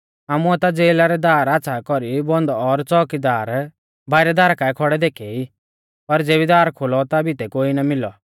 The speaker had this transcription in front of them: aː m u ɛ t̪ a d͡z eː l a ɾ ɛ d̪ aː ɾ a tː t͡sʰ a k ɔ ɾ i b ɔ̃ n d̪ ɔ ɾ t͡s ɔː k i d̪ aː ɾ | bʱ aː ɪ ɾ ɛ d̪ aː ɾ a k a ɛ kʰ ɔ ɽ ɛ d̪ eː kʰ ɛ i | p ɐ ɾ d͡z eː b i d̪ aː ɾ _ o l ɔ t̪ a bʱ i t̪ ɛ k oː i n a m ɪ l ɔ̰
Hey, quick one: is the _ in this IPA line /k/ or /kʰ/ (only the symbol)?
kʰ